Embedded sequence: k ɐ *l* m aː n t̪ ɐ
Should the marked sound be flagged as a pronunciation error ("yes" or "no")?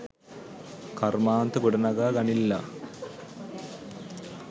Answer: yes